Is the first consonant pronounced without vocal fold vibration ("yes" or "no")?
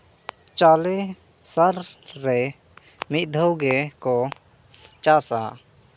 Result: yes